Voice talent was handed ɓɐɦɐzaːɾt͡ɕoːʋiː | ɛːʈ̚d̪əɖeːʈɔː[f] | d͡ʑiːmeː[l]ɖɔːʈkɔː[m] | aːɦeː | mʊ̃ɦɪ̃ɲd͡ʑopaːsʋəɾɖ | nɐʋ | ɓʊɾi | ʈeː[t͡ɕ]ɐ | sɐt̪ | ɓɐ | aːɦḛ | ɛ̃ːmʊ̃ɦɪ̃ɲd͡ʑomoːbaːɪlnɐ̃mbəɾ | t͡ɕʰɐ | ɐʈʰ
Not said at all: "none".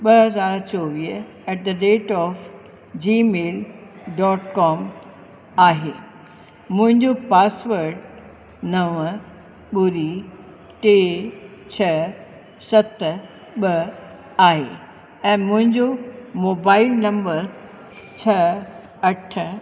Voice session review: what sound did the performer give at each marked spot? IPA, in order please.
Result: f, l, m, t͡ɕʰ

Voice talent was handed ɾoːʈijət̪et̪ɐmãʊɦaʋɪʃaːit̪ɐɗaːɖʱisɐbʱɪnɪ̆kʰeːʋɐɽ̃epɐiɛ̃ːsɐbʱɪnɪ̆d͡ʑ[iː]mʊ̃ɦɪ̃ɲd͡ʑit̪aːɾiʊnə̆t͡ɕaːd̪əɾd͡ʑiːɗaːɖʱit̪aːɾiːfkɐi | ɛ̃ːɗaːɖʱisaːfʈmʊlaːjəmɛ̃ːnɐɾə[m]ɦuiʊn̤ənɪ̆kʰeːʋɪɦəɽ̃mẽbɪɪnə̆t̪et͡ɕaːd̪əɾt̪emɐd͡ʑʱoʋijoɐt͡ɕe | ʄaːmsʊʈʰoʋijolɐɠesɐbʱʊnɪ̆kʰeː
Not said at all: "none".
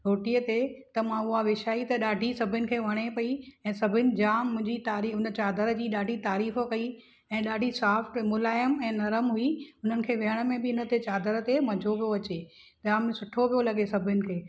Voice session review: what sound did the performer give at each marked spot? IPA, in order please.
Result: aː, m

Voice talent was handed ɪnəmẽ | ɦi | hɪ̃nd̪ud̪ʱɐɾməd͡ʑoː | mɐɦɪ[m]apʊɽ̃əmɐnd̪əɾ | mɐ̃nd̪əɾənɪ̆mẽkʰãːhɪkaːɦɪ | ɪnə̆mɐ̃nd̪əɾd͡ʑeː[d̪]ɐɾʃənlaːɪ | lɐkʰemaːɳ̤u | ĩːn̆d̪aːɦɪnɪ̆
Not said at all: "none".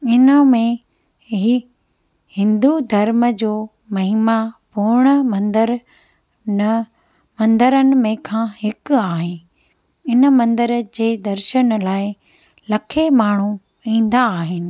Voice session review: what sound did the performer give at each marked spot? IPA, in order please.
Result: m, d̪

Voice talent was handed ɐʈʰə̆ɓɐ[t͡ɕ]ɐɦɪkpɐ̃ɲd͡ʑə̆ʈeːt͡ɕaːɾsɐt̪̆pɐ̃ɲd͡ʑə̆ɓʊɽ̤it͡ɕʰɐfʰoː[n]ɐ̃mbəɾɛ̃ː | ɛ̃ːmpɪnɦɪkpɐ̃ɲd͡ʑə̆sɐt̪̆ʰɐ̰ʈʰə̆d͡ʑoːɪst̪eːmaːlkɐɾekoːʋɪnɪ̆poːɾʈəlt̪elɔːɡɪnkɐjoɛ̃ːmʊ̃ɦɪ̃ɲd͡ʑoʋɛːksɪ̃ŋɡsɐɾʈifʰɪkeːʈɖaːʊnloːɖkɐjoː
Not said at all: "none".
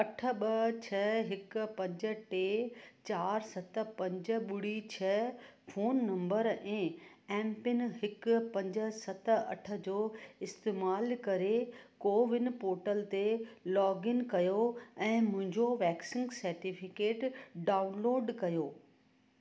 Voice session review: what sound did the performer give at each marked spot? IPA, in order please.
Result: t͡ɕʰ, nː

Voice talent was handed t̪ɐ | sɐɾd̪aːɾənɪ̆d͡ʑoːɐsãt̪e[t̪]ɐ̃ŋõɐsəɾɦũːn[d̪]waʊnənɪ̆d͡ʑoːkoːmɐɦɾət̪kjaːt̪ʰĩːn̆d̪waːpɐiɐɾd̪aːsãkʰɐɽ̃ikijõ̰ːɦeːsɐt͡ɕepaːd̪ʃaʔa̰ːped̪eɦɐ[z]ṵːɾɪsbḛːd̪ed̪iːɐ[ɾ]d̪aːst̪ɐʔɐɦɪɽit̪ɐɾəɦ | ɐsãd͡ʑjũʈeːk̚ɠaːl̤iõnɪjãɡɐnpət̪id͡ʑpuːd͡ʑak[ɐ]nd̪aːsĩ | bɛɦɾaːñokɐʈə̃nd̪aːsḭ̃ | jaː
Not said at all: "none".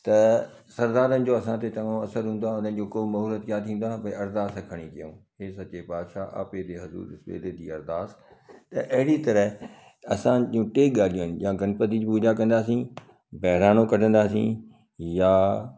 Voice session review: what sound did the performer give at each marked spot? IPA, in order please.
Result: t̪, d̪, z, ɾ, ɐ̃

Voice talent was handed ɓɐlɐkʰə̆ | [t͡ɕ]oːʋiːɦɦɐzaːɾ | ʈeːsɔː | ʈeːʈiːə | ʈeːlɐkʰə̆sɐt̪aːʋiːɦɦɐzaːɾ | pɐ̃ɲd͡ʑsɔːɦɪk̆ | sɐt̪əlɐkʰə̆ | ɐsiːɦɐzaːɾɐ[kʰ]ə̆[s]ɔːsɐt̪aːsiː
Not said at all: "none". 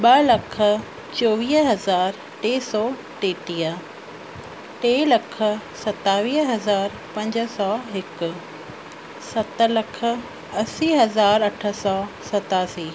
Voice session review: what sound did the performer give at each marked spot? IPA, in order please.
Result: t͡ɕ, ʈʰ, s

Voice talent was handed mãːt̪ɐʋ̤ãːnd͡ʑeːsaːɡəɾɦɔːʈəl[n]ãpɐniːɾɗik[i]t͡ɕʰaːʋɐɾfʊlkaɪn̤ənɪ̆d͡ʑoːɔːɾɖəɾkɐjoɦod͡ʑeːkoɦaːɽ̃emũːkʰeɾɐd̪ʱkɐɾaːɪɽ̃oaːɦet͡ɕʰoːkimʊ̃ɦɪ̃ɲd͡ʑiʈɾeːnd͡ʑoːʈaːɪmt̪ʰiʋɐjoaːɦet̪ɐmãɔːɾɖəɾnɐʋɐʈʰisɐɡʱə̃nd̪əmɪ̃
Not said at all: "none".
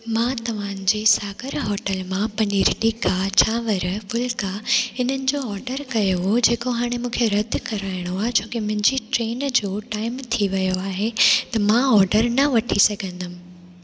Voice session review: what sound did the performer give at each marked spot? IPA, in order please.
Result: m, a

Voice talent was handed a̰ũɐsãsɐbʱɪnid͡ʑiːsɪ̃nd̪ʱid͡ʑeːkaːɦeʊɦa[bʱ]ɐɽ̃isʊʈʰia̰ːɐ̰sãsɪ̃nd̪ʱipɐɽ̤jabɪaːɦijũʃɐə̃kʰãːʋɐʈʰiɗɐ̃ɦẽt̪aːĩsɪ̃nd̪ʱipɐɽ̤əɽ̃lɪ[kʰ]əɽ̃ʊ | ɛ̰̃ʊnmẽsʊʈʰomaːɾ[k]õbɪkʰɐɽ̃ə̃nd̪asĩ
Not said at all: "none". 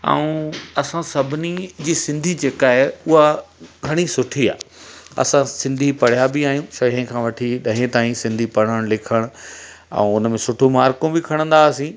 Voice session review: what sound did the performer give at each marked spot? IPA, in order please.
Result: ɡʱ, kʰ, k

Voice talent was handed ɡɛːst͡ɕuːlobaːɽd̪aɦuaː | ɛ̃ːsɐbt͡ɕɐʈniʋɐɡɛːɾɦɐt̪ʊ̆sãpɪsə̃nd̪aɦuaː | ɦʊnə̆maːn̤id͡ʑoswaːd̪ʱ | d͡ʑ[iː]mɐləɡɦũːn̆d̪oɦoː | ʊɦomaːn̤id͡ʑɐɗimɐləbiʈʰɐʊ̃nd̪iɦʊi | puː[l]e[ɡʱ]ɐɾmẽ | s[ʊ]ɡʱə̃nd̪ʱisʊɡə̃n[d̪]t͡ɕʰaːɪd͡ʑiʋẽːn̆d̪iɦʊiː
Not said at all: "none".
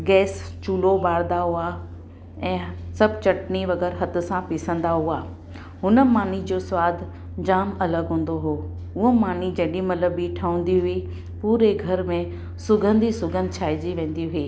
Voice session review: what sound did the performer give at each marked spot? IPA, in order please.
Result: aː, ɾ, ɡʱ, ʊ, d̪

